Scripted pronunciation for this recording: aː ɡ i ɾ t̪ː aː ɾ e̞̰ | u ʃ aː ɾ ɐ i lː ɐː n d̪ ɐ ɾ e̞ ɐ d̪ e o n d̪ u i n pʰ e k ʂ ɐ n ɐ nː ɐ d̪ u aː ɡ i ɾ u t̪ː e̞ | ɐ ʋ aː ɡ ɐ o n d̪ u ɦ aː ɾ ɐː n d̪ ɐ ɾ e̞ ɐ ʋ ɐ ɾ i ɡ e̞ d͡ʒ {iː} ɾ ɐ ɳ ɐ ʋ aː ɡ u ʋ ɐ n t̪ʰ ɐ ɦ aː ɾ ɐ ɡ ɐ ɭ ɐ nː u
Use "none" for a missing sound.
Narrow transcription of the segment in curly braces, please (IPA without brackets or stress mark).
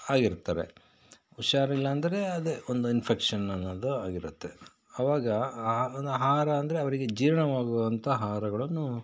iː